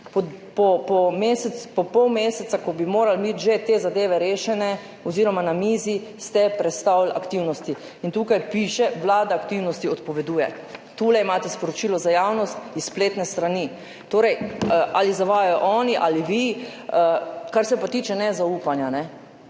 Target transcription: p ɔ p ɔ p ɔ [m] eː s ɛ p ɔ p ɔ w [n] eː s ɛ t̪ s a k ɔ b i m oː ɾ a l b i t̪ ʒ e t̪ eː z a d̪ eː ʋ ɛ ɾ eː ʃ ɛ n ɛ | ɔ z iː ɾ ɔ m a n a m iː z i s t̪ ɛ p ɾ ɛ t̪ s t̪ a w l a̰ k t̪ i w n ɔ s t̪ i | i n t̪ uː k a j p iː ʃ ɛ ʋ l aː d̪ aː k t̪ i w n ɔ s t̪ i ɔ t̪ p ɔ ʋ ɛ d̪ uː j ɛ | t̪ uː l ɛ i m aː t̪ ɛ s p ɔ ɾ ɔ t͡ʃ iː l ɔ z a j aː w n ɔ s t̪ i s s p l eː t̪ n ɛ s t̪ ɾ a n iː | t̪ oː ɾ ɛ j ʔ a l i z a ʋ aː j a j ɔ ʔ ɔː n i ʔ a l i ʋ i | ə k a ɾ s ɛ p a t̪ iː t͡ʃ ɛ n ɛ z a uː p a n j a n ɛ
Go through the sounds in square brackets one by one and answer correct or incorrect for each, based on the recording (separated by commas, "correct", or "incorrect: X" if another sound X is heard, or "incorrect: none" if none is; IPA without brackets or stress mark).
correct, incorrect: m